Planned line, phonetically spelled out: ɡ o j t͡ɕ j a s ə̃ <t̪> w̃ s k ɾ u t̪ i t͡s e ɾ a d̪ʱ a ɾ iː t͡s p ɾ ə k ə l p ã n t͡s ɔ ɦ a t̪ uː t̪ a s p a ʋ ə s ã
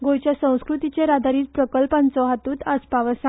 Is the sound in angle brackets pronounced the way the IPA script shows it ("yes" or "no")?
no